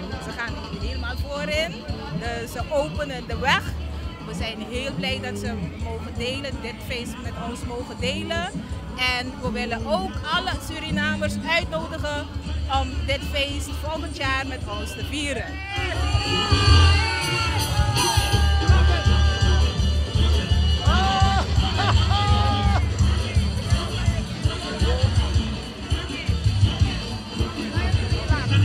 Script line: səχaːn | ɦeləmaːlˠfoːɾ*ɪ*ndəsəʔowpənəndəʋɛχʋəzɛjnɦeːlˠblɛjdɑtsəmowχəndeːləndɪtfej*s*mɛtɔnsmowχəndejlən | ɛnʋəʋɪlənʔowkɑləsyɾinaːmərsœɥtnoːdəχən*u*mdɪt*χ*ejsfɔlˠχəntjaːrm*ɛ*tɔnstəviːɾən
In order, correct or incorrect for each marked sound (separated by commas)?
correct, correct, incorrect, incorrect, correct